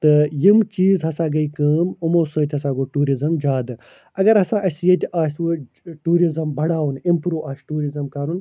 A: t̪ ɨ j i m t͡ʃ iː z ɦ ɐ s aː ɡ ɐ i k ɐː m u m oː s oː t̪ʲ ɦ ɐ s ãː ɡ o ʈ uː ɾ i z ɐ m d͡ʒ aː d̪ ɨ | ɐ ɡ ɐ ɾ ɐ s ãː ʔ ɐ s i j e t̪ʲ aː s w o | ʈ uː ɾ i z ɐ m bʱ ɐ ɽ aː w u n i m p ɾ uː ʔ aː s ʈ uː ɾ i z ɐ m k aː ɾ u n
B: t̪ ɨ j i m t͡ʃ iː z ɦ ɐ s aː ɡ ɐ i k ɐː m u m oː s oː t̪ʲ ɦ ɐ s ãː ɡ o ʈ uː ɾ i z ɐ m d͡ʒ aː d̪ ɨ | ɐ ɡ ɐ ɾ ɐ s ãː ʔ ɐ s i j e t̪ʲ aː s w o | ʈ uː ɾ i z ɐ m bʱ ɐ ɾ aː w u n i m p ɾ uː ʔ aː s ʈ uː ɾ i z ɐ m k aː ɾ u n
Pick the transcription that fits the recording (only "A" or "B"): A